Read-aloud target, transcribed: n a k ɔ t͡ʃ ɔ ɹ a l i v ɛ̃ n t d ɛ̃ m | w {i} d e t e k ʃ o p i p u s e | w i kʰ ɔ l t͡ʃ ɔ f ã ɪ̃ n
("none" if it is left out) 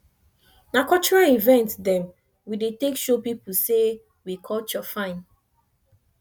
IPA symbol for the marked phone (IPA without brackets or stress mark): i